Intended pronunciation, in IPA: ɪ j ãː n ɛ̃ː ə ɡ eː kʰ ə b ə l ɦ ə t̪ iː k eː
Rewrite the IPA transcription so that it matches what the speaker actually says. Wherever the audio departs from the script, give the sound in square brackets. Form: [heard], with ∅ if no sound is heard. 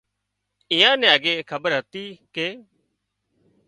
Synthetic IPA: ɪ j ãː n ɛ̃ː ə ɡ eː kʰ ə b ə [ɾ] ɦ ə t̪ iː k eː